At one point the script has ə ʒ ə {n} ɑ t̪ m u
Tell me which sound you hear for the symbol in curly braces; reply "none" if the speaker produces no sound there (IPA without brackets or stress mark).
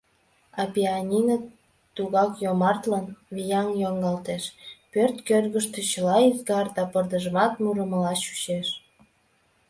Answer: m